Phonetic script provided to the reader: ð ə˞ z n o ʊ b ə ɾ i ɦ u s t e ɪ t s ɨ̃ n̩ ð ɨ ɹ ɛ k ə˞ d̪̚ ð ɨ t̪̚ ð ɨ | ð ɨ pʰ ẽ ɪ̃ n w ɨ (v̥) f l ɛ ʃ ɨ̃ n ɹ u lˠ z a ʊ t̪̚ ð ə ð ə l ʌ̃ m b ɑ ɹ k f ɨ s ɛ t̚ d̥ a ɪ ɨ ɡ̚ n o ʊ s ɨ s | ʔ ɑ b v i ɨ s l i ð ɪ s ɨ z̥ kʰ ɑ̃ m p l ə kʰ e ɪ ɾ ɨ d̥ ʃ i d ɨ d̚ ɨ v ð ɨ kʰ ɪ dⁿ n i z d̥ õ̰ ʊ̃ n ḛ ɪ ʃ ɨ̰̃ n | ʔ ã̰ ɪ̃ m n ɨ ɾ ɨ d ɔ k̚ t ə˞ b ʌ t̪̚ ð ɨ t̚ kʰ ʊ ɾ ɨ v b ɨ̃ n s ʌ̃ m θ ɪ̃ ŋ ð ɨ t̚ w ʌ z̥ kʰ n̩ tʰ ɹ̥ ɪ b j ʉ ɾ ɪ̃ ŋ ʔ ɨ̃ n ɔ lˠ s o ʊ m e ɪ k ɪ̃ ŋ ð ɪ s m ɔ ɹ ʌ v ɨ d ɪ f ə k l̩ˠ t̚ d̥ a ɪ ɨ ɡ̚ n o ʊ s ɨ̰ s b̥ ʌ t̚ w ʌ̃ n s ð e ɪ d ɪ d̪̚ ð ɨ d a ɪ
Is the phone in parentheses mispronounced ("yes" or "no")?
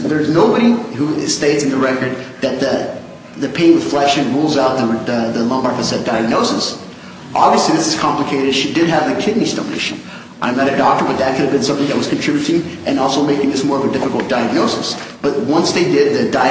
yes